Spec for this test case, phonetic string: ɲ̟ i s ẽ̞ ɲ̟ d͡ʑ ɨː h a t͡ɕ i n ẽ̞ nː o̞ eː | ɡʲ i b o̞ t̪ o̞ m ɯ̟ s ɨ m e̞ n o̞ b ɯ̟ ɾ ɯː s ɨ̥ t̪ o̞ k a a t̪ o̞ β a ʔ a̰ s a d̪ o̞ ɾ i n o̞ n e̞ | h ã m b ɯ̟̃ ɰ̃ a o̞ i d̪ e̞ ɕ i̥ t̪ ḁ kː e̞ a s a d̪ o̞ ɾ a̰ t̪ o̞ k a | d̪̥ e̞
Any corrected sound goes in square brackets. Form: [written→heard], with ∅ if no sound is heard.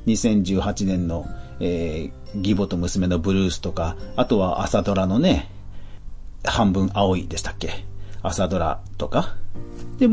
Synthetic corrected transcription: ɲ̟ i s ẽ̞ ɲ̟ d͡ʑ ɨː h a t͡ɕ i n ẽ̞ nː o̞ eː | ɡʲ i b o̞ t̪ o̞ m ɯ̟ s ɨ m e̞ n o̞ b ɯ̟ ɾ ɯː s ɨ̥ t̪ o̞ k a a t̪ o̞ β a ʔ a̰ s a d̪ o̞ ɾ [i→a] n o̞ n e̞ | h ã m b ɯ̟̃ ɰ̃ a o̞ i d̪ e̞ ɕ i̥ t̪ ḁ kː e̞ a s a d̪ o̞ ɾ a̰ t̪ o̞ k a | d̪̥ e̞